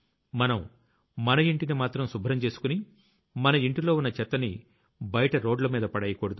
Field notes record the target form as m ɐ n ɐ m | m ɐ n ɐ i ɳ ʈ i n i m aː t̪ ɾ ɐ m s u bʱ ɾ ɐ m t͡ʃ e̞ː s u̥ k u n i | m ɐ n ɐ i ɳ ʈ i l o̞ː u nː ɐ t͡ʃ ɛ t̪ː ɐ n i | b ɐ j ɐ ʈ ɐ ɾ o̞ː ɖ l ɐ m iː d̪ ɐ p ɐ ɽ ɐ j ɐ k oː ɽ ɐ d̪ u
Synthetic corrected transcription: m ɐ n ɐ m | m ɐ n ɐ i ɳ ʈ i n i m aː t̪ ɾ ɐ m s u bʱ ɾ ɐ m t͡ʃ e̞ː s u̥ k u n i | m ɐ n ɐ i ɳ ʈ i l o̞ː u nː ɐ t͡ʃ ɛ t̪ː ɐ n i | b ɐ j ɐ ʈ ɐ ɾ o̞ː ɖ l ɐ m iː d̪ ɐ p ɐ ɽ ɐ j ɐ k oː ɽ ɐ d̪ u